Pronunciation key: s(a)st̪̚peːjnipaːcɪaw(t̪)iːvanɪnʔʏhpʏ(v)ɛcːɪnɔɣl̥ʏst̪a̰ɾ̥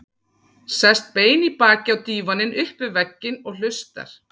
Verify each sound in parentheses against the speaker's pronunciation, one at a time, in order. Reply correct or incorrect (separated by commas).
incorrect, correct, correct